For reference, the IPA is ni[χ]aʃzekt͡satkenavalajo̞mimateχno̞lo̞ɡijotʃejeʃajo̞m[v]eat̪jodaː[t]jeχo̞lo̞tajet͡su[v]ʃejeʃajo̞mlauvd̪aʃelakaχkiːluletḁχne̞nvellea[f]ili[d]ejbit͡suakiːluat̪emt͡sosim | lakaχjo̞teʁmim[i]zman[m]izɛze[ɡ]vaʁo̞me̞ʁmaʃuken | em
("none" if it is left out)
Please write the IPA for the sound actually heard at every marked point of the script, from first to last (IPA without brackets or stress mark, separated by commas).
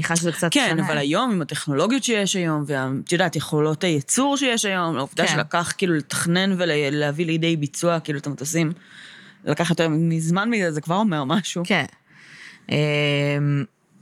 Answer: χ, v, t, ʁ, v, d, i, m, k